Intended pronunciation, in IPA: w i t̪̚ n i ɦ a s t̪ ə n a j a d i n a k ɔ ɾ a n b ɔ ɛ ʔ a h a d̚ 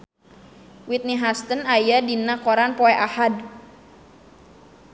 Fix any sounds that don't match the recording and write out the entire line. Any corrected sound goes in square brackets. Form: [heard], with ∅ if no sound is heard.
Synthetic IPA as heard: w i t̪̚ n i ɦ a s t̪ ə n a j a d i n a k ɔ ɾ a n [p] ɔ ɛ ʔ a h a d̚